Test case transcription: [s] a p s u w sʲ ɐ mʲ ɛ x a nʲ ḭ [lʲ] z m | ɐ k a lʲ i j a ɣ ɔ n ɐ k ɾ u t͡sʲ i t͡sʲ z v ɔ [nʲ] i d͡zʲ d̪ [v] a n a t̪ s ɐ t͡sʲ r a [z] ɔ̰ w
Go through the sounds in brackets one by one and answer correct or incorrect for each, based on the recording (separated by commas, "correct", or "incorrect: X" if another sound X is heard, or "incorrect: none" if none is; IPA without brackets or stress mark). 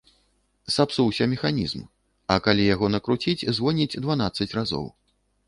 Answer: correct, incorrect: none, correct, correct, correct